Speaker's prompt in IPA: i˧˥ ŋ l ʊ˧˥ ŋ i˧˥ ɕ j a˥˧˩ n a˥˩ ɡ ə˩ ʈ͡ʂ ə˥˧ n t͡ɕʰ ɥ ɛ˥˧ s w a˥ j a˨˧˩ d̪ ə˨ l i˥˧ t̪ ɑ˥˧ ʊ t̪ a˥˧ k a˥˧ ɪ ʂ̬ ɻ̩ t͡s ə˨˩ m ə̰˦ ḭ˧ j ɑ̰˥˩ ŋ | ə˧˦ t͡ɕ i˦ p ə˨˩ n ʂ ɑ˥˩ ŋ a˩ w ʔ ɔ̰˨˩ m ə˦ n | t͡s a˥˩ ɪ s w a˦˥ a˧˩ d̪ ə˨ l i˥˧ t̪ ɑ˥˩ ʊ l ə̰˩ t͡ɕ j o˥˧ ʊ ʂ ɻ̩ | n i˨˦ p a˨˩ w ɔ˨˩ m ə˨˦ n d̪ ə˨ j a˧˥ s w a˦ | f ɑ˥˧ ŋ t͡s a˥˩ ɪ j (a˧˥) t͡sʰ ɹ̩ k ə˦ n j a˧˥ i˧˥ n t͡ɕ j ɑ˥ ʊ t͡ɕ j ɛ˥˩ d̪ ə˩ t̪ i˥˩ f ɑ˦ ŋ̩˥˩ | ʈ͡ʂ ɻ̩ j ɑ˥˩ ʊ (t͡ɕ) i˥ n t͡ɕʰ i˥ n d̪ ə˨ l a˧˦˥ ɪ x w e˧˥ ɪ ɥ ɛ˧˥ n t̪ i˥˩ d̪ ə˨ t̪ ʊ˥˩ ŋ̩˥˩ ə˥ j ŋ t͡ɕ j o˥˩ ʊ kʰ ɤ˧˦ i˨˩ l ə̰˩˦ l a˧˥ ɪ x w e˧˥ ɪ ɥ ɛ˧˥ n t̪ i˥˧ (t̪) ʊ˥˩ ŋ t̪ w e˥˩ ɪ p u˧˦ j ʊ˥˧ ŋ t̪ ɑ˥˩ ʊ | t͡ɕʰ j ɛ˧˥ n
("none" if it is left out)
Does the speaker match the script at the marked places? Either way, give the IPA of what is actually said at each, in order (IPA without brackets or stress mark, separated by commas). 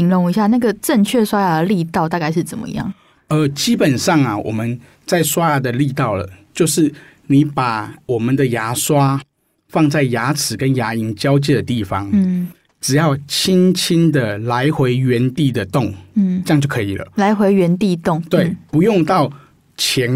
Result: a˧˥, t͡ɕʰ, t̪